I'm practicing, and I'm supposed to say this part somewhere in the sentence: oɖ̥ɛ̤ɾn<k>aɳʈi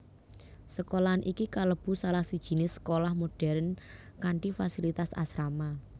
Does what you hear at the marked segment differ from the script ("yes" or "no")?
no